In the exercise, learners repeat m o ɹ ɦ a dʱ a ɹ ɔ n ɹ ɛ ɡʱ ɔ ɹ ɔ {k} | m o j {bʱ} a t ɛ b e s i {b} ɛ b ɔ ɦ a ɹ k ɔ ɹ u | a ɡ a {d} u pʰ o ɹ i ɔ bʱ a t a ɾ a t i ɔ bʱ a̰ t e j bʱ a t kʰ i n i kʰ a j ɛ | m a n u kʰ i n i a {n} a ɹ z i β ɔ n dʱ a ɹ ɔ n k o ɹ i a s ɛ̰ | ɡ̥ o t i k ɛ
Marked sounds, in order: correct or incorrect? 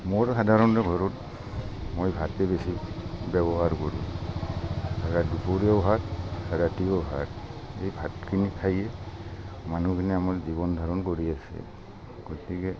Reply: incorrect: t, correct, correct, correct, incorrect: m

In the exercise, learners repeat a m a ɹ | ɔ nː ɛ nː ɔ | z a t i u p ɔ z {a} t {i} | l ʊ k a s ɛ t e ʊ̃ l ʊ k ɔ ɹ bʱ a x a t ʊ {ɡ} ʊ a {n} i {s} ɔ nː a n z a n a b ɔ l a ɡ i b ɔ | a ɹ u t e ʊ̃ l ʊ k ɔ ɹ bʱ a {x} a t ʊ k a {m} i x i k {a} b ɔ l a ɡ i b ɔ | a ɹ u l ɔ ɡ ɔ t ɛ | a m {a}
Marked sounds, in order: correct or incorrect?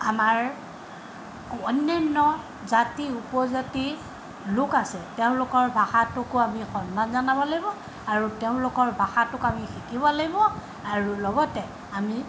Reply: correct, correct, incorrect: k, incorrect: m, incorrect: x, correct, correct, incorrect: i, incorrect: i

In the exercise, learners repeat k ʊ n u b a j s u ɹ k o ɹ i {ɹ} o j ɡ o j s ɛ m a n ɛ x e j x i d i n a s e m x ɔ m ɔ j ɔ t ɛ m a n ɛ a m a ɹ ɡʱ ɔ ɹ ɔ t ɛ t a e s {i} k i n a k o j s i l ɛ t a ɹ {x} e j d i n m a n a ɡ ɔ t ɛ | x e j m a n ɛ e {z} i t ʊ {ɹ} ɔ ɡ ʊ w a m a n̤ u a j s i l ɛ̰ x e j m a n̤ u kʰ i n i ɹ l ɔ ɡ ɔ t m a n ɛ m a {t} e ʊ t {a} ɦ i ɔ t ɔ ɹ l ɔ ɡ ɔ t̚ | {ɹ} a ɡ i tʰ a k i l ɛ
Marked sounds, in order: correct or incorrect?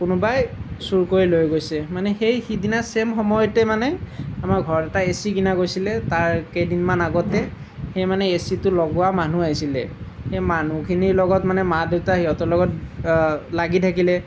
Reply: incorrect: l, correct, incorrect: k, incorrect: s, incorrect: l, incorrect: d, correct, incorrect: l

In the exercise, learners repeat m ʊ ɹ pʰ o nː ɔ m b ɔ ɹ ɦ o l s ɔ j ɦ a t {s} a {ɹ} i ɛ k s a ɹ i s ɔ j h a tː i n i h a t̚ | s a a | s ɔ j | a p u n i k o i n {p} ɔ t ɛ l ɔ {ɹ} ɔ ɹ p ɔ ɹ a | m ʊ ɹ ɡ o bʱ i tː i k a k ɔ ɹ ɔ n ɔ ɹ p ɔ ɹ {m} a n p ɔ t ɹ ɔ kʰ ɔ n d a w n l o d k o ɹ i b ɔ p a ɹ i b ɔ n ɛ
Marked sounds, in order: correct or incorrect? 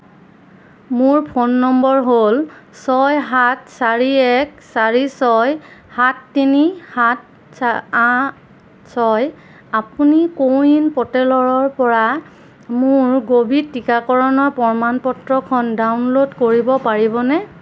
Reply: correct, correct, correct, correct, correct

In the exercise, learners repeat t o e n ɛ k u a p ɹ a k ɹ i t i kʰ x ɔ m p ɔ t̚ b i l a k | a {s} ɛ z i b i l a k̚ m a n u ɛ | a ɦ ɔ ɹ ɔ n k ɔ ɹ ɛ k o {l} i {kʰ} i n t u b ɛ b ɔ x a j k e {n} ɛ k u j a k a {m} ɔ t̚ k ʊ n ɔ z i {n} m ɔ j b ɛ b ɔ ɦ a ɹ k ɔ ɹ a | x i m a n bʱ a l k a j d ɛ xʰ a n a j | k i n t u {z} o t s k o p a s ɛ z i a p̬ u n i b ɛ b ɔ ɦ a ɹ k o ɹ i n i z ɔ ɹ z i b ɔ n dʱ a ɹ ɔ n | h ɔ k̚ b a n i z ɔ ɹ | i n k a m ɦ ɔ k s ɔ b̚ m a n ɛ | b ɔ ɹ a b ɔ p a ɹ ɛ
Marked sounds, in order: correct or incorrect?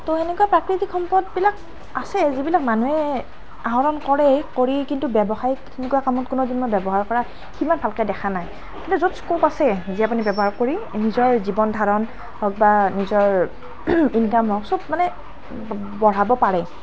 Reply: correct, incorrect: ɹ, incorrect: k, correct, correct, correct, correct

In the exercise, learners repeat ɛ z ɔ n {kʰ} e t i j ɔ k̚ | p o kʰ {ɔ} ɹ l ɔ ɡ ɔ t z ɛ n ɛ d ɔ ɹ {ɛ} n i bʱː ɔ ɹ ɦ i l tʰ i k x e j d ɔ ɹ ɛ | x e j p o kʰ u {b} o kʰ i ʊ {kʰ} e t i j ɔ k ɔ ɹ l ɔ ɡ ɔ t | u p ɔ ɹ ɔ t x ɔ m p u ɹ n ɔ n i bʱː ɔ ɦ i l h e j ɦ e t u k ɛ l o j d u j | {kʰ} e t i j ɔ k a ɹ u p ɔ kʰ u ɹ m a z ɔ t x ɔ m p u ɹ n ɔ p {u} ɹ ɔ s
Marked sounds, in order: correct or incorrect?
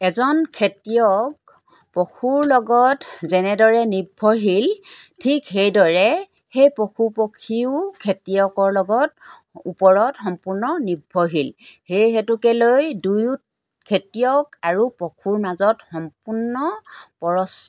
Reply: correct, incorrect: u, correct, incorrect: p, correct, correct, incorrect: ɔ

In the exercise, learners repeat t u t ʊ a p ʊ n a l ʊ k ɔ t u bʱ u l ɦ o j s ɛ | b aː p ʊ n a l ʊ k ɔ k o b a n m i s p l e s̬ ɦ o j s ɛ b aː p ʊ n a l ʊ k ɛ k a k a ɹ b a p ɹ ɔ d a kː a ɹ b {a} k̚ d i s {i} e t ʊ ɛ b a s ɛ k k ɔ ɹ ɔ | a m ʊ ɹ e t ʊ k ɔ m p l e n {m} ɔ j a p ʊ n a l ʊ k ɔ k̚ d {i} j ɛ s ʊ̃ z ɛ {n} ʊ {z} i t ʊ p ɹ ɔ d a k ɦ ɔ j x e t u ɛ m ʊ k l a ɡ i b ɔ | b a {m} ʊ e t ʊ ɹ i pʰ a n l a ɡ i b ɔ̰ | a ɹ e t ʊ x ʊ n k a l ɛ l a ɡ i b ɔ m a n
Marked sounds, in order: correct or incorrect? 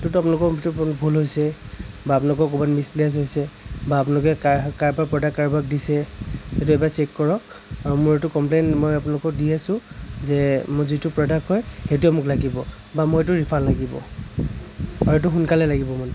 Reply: correct, incorrect: ɛ, correct, correct, incorrect: m, correct, correct

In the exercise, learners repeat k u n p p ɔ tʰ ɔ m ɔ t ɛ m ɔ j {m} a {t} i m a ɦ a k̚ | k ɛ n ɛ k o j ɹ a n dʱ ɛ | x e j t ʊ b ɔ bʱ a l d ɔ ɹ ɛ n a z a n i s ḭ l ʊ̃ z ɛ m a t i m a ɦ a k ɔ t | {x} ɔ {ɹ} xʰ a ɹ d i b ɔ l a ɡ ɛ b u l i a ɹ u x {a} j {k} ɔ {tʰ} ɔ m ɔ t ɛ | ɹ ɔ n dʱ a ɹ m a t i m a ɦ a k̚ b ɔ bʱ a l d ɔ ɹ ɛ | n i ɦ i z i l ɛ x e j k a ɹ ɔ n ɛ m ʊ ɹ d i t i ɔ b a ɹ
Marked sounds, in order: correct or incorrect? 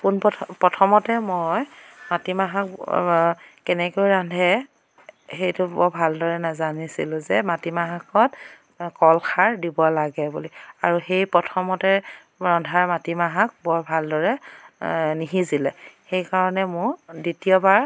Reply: correct, correct, incorrect: k, incorrect: l, incorrect: e, incorrect: p, correct

